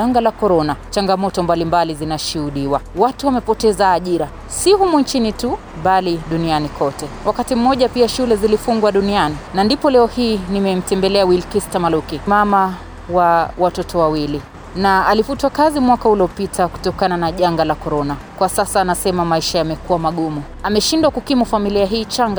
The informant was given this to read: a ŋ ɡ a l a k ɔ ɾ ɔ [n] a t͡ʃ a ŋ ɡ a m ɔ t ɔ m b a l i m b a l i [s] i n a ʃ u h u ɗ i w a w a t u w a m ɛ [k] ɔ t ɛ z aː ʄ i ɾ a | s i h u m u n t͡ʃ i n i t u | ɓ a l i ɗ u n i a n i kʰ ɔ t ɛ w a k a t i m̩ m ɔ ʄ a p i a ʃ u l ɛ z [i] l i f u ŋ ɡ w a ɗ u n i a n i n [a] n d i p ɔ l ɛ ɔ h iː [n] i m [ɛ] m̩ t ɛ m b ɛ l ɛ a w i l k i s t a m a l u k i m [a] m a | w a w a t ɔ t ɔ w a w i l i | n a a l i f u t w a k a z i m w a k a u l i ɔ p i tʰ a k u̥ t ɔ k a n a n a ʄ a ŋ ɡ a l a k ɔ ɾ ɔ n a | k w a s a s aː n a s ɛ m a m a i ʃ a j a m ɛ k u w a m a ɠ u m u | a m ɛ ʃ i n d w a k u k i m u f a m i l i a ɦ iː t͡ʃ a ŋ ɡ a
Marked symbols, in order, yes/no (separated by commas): yes, no, no, yes, yes, yes, yes, yes